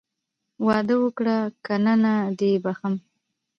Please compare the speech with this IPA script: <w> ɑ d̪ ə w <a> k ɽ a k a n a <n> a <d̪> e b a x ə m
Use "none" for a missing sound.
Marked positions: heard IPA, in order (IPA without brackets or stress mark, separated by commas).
w, ə, n, d̪